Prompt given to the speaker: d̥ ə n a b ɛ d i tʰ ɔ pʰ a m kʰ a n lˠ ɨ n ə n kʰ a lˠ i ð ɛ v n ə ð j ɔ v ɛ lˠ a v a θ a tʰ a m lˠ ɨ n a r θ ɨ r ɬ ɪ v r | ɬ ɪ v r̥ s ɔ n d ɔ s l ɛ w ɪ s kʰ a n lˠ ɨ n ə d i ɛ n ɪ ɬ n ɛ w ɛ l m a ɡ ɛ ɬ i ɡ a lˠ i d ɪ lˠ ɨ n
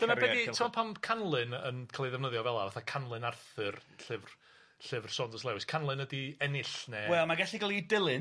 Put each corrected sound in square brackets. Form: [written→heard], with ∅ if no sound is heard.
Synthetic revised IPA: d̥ ə n a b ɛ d i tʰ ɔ pʰ a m kʰ a n lˠ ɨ n ə n kʰ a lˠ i ð ɛ v n ə ð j ɔ v ɛ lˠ a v a θ a [tʰ→kʰ] a [m→n] lˠ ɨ n a r θ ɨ r ɬ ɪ v r | ɬ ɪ v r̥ s ɔ n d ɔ s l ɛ w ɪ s kʰ a n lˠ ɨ n ə d i ɛ n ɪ ɬ n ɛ w ɛ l m a ɡ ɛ ɬ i ɡ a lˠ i d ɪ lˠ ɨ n